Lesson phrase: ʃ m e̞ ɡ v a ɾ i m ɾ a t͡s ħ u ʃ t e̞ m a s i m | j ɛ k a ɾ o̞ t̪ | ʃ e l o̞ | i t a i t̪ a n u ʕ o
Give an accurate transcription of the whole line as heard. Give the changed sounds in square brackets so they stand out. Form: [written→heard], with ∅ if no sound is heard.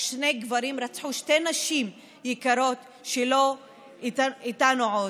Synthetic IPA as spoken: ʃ [m→n] e̞ ɡ v a ɾ i m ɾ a t͡s ħ u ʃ t e̞ [m→n] a [s→ʃ] i m | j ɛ k a ɾ o̞ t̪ | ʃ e l o̞ | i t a i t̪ a n u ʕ o